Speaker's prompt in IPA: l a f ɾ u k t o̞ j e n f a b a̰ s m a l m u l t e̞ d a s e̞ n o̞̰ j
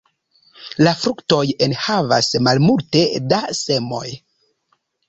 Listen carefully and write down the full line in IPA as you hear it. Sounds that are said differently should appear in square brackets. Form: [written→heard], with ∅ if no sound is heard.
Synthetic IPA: l a f ɾ u k t o̞ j e n [f→h] a [b→v] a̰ s m a l m u l t e̞ d a s e̞ [n→m] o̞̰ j